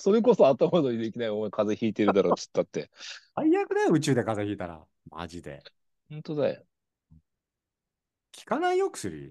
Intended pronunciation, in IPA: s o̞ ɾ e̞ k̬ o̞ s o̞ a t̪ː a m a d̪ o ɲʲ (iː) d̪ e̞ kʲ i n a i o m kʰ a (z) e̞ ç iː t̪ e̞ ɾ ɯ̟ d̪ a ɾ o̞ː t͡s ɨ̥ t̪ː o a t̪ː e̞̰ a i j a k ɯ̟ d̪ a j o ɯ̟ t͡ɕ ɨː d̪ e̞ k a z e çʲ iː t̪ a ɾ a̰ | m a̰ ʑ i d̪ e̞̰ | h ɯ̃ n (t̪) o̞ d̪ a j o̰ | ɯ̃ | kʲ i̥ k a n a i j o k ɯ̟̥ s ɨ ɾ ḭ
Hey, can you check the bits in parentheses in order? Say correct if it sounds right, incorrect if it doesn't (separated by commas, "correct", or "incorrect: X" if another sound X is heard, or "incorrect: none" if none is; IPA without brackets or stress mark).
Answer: incorrect: i, correct, correct